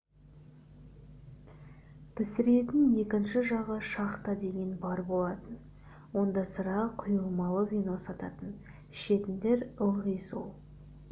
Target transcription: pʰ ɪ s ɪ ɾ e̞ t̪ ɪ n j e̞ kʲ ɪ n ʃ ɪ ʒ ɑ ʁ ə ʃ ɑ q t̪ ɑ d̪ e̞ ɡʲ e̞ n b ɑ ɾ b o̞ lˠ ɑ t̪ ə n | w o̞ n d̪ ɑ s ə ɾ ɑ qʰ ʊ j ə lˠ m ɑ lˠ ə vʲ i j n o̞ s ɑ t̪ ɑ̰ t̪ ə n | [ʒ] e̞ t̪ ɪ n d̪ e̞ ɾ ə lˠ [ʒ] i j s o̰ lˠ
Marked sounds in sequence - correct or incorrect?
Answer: incorrect, incorrect

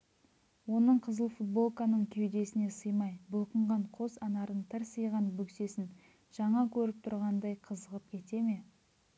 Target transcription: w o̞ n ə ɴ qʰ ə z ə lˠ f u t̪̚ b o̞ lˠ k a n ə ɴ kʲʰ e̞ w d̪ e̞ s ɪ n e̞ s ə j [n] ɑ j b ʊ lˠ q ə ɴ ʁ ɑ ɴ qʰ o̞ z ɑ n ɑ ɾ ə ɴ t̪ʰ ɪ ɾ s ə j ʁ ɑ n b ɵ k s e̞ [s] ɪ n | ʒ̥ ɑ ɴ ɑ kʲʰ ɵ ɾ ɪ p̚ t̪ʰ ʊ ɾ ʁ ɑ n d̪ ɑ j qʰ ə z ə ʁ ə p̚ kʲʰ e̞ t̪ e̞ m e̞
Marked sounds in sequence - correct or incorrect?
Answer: incorrect, correct

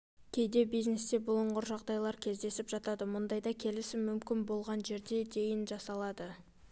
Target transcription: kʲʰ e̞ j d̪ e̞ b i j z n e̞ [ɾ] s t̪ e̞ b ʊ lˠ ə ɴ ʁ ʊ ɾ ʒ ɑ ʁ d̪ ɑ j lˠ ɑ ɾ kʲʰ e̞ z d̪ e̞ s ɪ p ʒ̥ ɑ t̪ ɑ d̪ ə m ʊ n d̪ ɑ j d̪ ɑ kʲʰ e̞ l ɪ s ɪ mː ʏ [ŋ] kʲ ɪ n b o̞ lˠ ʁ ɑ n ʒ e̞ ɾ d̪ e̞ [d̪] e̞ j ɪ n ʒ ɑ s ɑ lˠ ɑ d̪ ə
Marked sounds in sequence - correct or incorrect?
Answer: incorrect, incorrect, correct

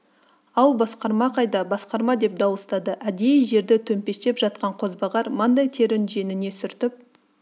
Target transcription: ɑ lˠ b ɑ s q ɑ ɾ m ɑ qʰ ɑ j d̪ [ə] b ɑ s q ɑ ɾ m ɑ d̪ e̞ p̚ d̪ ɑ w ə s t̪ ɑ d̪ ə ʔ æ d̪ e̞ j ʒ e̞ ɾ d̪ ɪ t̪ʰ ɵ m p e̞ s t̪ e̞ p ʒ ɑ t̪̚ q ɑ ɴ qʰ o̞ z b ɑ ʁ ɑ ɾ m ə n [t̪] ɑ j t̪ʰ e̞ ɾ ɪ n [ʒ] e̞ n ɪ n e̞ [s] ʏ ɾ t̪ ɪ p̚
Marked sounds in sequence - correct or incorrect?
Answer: incorrect, incorrect, correct, correct

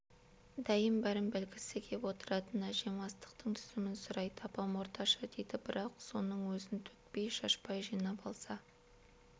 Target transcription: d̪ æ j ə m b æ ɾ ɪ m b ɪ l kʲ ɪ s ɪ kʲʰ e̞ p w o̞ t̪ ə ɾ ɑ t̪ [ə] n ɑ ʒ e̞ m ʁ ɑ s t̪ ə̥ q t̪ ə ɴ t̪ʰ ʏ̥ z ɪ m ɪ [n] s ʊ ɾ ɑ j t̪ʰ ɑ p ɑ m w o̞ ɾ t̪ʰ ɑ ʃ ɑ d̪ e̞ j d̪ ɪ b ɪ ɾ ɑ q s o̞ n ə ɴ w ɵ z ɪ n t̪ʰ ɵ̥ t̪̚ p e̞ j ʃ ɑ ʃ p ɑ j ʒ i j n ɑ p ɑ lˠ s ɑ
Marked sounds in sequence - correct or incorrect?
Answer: correct, correct

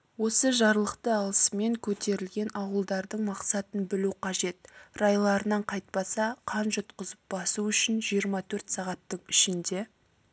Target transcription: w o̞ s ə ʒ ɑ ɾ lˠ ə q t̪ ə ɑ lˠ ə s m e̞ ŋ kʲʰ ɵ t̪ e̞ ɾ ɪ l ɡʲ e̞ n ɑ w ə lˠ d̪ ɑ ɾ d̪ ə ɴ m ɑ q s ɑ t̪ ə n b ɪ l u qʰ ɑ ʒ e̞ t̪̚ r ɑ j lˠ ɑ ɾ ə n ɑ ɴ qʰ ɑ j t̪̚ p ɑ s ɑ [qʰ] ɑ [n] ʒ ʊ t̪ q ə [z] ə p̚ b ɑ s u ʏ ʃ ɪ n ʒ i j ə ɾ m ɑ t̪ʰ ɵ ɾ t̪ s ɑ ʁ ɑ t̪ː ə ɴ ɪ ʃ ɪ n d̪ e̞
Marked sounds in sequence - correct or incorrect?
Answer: correct, correct, correct

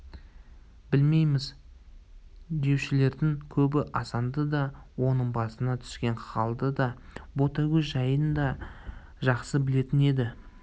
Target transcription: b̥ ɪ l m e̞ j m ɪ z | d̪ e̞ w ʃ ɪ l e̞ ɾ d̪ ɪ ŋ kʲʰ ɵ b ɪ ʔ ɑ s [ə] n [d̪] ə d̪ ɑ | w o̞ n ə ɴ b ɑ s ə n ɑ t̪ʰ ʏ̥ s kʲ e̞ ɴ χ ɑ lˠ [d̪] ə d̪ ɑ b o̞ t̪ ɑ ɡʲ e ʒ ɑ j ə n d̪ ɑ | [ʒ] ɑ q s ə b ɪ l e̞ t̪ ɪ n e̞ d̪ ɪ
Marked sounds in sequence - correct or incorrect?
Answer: incorrect, correct, correct, correct

